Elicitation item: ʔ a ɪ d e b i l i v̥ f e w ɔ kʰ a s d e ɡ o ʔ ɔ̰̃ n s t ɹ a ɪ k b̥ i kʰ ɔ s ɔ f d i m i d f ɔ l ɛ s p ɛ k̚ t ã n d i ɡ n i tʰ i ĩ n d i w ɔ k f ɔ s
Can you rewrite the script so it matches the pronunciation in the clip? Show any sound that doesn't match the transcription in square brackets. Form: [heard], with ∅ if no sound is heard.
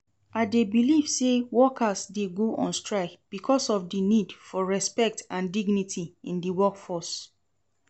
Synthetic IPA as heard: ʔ a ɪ d e b i l i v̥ [s] e w ɔ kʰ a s d e ɡ o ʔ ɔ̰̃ n s t ɹ a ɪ k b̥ i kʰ ɔ s ɔ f d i [n] i d f ɔ [ɹ] ɛ s p ɛ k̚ t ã n d i ɡ n i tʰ i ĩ n d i w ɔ k f ɔ s